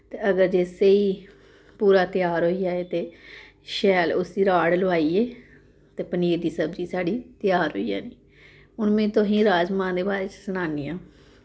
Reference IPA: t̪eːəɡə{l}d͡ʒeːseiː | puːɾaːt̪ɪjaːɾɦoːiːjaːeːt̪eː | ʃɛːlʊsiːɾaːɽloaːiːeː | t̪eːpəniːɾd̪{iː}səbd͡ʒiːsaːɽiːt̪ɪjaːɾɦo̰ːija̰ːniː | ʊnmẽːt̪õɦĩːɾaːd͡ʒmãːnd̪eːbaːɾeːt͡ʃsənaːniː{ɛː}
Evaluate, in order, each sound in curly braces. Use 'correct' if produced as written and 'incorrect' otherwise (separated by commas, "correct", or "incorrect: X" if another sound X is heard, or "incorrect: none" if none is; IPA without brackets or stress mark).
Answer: incorrect: ɾ, correct, incorrect: aː